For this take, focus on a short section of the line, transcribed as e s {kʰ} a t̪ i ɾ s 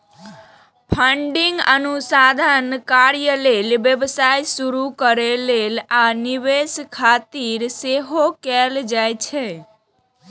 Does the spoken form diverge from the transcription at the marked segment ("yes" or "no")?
no